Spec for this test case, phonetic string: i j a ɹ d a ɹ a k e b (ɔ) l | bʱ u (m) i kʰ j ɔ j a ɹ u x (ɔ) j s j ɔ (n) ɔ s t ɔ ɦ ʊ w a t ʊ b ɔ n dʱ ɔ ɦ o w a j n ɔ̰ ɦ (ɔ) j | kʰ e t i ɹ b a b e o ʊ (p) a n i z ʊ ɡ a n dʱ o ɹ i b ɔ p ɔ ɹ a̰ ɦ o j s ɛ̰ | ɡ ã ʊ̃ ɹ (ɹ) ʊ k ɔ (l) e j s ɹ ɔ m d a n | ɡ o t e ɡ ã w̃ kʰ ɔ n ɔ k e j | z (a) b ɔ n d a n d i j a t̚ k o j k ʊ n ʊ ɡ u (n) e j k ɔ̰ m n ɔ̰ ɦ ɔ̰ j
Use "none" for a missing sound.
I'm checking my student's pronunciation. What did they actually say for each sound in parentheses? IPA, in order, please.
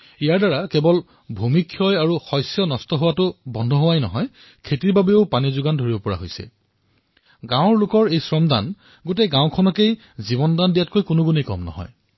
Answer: ɔ, m, ɔ, n, ɔ, p, l, ɹ, i, n

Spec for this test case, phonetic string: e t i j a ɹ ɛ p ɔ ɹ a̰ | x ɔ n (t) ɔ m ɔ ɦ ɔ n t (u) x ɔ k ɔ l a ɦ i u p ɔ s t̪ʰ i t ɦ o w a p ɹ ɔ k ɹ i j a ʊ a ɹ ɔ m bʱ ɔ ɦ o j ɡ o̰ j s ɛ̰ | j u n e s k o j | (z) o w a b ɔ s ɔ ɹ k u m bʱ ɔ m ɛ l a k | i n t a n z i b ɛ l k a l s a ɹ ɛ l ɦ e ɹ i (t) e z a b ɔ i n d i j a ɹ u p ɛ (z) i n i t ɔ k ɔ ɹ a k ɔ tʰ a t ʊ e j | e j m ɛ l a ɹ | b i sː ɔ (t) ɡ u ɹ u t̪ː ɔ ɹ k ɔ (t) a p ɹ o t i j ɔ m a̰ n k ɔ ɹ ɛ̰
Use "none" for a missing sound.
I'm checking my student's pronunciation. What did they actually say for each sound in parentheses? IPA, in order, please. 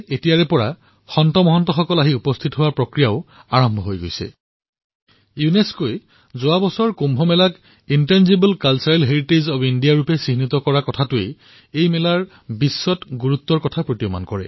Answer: t, ɔ, z, t, s, t, tʰ

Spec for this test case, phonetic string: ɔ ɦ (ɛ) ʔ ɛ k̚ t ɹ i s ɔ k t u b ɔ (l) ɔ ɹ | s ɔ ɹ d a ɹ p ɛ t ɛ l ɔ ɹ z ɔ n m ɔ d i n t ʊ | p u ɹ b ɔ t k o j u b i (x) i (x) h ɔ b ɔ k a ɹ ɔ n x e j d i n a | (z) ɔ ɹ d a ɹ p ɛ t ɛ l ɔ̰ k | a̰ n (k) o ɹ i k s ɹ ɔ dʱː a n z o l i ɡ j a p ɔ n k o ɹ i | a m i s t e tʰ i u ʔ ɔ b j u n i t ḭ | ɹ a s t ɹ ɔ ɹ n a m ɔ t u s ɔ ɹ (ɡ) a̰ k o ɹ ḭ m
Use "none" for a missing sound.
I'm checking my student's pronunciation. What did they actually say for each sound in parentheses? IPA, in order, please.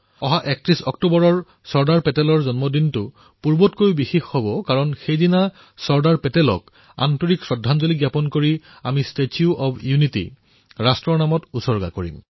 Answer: a, ɹ, x, x, s, t, ɡ

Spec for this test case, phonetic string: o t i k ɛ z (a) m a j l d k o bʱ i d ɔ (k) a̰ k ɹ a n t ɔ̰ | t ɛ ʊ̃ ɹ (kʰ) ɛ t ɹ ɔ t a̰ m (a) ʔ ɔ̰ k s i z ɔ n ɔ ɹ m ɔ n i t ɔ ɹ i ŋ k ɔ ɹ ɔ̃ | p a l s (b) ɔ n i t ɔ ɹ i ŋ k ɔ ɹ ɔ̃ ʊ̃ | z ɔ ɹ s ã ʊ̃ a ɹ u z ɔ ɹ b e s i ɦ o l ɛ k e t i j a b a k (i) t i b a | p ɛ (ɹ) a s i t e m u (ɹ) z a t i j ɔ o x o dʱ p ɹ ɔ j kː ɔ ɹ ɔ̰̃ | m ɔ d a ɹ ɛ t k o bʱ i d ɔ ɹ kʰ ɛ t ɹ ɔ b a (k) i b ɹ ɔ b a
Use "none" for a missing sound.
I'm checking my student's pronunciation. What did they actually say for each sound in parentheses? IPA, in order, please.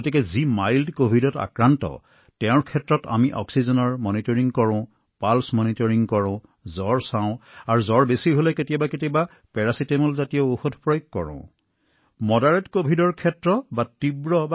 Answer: i, t, kʰ, i, m, e, ɹ, l, t

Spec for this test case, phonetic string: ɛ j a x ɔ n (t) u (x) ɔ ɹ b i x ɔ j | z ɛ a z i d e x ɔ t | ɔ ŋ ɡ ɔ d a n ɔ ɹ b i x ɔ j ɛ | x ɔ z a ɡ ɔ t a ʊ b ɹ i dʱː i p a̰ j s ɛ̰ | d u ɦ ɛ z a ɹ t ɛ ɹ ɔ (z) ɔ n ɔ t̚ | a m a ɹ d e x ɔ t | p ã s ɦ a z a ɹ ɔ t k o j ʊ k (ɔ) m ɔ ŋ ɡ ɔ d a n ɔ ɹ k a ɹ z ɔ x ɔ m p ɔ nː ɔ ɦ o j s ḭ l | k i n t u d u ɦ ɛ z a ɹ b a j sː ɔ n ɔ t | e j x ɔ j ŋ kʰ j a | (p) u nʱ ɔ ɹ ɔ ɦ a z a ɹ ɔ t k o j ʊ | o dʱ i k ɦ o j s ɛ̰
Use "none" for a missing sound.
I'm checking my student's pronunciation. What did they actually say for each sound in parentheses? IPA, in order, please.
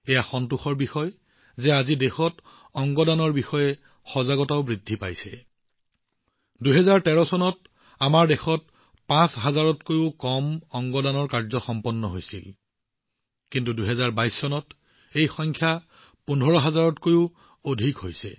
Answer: t, x, s, ɔ, p

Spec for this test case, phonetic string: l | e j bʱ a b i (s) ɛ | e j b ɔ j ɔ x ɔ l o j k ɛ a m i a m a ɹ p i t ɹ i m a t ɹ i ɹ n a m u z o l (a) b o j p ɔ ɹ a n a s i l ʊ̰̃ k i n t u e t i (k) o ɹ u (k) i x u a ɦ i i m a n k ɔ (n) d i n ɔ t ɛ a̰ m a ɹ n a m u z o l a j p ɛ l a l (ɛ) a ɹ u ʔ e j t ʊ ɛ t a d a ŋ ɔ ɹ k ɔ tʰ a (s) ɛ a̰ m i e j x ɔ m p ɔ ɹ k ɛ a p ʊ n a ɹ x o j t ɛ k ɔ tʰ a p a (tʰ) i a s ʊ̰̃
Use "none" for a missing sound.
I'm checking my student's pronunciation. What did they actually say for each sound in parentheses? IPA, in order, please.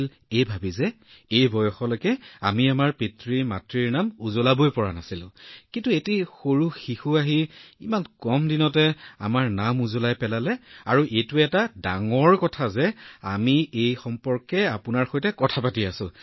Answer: z, a, x, x, m, ɛ, z, t

